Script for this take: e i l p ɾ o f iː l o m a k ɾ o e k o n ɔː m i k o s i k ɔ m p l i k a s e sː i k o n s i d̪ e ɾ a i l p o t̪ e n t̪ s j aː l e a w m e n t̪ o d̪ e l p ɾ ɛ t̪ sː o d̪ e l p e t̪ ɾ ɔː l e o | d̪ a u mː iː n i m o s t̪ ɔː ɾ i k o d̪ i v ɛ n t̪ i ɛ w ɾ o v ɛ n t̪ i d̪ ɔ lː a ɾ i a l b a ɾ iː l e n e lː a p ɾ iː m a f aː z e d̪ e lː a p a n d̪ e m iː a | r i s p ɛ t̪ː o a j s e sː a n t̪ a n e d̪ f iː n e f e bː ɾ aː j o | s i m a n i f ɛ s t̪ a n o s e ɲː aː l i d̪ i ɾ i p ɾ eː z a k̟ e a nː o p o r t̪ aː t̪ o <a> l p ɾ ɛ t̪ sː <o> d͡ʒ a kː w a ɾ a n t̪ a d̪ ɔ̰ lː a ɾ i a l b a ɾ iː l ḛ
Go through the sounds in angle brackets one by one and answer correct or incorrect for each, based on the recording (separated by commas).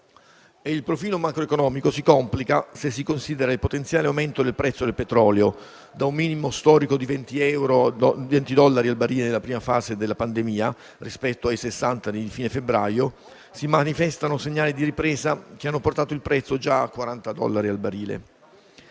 incorrect, correct